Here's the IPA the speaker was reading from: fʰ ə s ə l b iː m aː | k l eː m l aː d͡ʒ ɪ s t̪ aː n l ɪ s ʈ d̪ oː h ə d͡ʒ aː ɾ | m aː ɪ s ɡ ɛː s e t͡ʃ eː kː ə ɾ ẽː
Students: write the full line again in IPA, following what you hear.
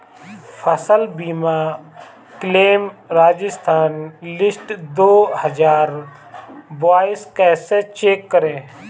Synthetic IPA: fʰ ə s ə l b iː m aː | k l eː m ɾ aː d͡ʒ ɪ s t̪ʰ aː n l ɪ s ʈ d̪ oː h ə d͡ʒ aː ɾ | b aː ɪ s k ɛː s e t͡ʃ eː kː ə ɾ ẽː